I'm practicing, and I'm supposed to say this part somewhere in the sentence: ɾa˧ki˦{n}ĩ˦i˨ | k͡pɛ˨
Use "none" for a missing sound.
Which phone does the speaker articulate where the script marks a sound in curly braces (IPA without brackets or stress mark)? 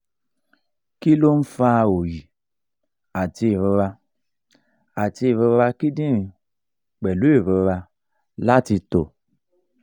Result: d